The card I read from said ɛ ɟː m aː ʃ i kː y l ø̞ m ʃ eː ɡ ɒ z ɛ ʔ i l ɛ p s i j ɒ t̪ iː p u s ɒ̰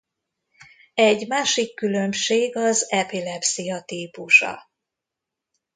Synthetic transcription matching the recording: ɛ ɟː m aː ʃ i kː y l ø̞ m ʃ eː ɡ ɒ z ɛ p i l ɛ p s i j ɒ t̪ iː p u ʃ ɒ̰